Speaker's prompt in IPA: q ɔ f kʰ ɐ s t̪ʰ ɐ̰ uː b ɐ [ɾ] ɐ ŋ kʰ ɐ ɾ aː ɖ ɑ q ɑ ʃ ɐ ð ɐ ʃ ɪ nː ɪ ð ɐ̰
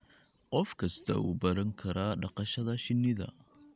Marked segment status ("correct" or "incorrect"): correct